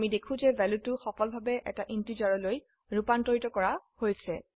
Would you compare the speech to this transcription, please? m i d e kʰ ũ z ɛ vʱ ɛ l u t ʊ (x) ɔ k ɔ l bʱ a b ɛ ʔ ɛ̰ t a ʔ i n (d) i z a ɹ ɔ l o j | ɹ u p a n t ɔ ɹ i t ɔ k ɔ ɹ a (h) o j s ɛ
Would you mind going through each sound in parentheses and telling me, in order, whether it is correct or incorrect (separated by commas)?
correct, incorrect, correct